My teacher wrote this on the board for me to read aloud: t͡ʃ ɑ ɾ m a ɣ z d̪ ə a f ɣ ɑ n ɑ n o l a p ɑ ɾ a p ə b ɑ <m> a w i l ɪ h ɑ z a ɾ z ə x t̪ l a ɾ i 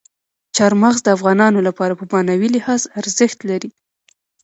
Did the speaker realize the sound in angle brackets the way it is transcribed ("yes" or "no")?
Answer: no